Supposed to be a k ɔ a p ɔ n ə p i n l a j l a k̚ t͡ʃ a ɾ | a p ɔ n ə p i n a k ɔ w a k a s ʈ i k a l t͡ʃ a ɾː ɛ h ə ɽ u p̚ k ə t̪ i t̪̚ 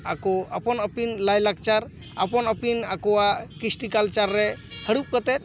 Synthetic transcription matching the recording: a k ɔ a p ɔ n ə p i n l a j l a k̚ t͡ʃ a ɾ | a p ɔ n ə p i n a k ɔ w a k i s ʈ i k a l t͡ʃ a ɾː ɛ h ə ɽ u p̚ k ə t̪ ɛ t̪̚

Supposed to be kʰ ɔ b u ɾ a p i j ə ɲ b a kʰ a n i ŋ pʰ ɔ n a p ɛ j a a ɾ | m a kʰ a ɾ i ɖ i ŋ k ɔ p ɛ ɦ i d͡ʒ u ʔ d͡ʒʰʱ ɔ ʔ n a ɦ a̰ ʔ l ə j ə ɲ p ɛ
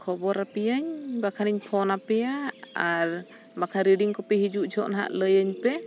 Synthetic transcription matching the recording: kʰ ɔ b ɔ ɾ a p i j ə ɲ b a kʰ a n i ɲ pʰ ɔ n a p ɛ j a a ɾ | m a kʰ a ɾ i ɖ i ŋ k ɔ p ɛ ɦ i d͡ʒ u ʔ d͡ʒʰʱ ɔ ʔ n a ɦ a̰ ʔ l ə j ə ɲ p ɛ

